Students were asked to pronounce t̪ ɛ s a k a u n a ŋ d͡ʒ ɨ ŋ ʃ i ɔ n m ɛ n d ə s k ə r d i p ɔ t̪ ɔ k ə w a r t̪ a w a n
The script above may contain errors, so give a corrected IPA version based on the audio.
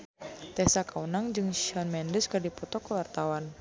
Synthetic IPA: t̪ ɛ s a k a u n a ŋ d͡ʒ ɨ ŋ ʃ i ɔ n m ɛ n d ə s k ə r d i p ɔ t̪ ɔ k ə w a r t̪ a w a n